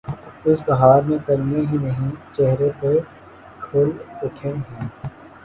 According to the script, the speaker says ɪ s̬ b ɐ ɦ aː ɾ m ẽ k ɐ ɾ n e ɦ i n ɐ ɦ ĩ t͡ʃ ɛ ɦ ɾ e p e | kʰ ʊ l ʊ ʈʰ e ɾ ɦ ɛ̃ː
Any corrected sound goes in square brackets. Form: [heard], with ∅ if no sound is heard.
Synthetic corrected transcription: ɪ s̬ b ɐ ɦ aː ɾ m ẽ k ɐ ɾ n e ɦ i n ɐ ɦ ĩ t͡ʃ ɛ ɦ ɾ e p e | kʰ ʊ l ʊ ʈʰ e [∅] ɦ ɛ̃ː

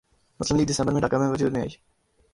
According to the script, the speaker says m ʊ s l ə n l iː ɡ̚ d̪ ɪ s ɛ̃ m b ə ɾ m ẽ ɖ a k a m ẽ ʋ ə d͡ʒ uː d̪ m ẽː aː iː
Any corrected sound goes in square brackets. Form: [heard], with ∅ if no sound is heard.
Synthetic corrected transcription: m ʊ s l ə [m] l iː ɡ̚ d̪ ɪ s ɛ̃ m b ə ɾ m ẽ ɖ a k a m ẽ ʋ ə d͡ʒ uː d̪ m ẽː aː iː

